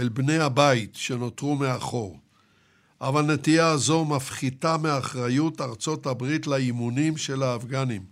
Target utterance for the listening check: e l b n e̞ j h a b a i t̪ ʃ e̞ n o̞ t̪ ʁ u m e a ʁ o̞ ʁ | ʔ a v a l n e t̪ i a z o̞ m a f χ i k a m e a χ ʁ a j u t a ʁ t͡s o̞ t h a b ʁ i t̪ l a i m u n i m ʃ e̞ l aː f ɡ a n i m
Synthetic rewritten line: e l b n e̞ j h a b a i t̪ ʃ e̞ n o̞ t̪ ʁ u m e a χ o̞ ʁ | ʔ a v a l n e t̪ i a z o̞ m a f χ i t a m e a χ ʁ a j u t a ʁ t͡s o̞ t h a b ʁ i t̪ l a i m u n i m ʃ e̞ l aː f ɡ a n i m